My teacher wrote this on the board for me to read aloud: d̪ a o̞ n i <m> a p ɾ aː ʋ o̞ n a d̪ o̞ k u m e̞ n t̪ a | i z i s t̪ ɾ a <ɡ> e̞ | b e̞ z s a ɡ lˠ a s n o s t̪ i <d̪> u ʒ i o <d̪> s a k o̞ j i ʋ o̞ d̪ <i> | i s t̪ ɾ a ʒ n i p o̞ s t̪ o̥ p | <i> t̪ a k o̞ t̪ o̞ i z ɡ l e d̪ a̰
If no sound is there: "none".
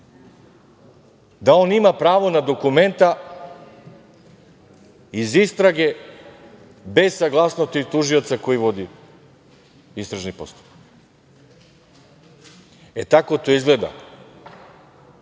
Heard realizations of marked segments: m, ɡ, t̪, t̪, i, e

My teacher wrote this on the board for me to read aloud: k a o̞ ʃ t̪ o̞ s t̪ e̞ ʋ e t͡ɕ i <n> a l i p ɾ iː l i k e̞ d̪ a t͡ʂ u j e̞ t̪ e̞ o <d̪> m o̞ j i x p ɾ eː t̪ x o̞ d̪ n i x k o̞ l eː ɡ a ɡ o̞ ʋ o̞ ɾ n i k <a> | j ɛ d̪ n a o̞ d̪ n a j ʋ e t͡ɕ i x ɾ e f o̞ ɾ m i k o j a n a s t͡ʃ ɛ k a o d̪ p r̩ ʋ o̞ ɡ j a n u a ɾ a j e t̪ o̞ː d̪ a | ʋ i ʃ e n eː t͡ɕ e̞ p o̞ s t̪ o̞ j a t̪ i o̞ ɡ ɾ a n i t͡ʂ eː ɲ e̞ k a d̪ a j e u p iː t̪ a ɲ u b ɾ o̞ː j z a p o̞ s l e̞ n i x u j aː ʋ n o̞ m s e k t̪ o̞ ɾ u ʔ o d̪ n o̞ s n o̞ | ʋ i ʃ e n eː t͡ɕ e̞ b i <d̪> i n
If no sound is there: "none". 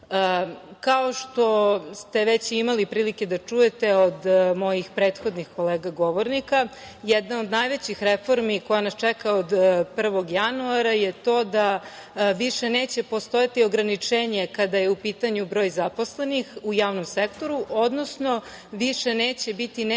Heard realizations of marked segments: m, d̪, a, t̪

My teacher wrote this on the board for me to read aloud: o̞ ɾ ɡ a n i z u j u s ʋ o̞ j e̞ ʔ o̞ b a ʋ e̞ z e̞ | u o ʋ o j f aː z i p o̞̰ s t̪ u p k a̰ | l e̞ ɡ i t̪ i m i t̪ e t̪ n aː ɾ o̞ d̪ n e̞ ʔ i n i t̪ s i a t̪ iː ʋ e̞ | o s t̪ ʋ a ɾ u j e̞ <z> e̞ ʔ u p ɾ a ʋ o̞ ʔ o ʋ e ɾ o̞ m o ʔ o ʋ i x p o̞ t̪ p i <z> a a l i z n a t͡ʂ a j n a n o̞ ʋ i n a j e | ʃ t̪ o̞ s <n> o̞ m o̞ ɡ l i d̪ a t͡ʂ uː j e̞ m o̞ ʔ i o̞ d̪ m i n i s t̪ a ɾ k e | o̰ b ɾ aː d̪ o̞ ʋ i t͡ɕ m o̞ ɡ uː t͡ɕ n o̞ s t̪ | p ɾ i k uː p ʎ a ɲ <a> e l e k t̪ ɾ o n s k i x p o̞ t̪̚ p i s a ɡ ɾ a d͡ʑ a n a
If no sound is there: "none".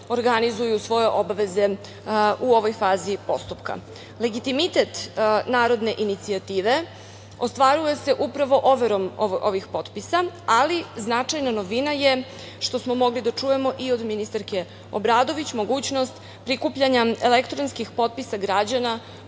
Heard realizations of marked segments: s, s, m, a

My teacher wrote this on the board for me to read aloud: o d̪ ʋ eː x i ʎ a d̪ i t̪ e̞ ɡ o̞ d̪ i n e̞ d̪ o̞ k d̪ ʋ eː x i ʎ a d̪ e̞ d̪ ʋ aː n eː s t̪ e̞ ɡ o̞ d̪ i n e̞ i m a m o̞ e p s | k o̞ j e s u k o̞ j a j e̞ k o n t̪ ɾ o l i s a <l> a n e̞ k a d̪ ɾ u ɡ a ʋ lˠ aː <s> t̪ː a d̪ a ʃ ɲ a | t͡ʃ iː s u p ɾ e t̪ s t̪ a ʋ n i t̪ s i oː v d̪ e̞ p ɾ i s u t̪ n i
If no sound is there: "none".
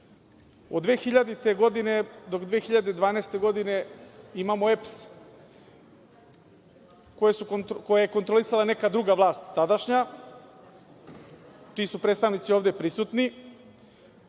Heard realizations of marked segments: l, s

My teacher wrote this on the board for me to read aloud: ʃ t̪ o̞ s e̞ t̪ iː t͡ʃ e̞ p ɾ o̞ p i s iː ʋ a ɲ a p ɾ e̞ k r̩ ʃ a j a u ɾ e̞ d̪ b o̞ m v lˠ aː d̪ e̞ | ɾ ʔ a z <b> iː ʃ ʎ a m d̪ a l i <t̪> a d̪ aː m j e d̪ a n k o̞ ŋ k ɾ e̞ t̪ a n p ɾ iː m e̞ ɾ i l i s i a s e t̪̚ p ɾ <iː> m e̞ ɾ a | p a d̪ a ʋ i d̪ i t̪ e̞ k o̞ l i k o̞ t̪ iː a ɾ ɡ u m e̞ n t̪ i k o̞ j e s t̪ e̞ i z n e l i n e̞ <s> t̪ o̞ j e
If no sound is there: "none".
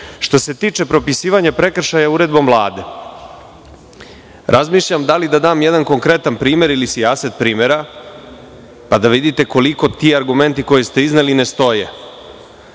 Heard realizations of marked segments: m, d̪, iː, s

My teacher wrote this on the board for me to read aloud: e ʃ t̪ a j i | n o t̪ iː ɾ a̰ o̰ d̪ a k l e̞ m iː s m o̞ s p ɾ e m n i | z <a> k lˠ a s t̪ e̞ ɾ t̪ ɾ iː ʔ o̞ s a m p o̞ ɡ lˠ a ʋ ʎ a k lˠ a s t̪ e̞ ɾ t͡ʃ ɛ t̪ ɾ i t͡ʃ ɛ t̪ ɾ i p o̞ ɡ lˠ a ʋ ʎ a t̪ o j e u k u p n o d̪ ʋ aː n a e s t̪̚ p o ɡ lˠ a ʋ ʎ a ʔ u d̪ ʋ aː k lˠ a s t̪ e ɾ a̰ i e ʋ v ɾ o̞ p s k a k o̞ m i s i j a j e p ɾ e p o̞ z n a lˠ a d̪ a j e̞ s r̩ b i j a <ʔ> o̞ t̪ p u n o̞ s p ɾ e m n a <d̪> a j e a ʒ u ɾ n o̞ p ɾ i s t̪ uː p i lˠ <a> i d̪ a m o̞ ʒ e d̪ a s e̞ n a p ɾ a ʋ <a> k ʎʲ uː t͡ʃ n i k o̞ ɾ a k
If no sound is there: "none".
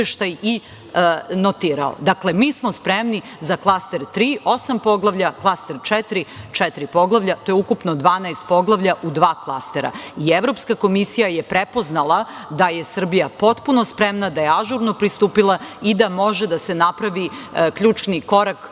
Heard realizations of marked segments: a, p, d̪, a, i

